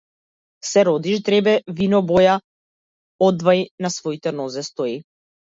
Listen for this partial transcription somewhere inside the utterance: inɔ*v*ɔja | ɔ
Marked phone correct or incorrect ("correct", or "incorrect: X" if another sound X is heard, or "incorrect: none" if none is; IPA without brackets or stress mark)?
incorrect: b